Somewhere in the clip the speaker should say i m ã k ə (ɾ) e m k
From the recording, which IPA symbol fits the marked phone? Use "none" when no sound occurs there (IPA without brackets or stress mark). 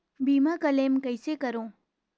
l